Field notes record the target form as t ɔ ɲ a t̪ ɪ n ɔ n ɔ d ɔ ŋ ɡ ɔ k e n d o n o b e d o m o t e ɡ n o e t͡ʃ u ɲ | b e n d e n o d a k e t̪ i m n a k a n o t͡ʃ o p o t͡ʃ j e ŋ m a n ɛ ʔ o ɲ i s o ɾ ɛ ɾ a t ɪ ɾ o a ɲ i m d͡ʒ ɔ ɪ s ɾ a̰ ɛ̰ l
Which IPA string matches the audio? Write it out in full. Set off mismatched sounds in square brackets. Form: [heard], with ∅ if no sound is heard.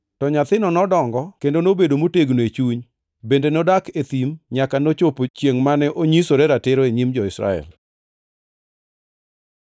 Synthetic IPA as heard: t ɔ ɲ a t̪ ɪ n ɔ n ɔ d ɔ ŋ ɡ ɔ k e n d o n o b e d o m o t e ɡ n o e t͡ʃ u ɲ | b e n d e n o d a k e t̪ i m [ɲ] a k a n o t͡ʃ o p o t͡ʃ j e ŋ m a n ɛ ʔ o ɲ i s o ɾ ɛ ɾ a t ɪ ɾ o [e] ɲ i m d͡ʒ ɔ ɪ s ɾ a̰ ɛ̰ l